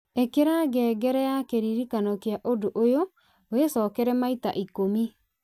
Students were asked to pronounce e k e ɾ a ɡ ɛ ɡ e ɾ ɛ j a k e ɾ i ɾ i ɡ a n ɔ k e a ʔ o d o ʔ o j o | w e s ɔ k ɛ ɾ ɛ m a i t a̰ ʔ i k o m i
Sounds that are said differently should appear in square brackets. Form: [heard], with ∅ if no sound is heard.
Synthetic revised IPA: e k e ɾ a ɡ ɛ ɡ [ɛ] ɾ ɛ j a k e ɾ i ɾ i [k] a n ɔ k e a ʔ o d o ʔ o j o | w e s ɔ k ɛ ɾ ɛ m a i t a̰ ʔ i k o m i